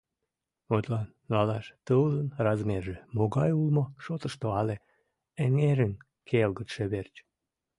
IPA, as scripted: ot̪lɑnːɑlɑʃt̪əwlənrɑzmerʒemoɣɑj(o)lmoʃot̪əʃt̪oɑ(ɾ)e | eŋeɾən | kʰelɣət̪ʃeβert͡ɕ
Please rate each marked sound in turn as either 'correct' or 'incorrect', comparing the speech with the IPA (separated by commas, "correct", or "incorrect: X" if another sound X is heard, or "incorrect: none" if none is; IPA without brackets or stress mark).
incorrect: u, incorrect: l